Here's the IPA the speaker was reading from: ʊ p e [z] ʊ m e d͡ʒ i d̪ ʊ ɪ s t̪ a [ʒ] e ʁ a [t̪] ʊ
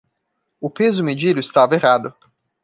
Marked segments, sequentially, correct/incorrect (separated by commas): correct, incorrect, incorrect